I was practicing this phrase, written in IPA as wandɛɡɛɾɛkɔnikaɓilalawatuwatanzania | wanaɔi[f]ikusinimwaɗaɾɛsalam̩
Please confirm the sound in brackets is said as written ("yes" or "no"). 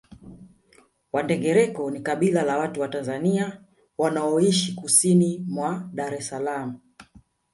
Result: no